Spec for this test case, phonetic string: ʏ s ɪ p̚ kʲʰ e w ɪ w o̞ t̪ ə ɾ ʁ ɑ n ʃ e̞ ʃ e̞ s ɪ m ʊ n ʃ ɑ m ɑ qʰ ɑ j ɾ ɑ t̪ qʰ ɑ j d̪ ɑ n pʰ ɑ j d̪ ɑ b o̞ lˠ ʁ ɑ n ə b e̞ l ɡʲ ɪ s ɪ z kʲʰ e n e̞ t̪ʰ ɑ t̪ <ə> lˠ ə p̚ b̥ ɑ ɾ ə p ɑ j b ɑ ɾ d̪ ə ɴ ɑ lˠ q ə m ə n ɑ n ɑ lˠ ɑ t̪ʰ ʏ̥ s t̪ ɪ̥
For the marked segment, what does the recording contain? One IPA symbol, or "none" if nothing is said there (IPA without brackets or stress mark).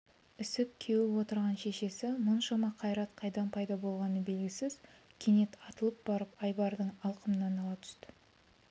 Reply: ə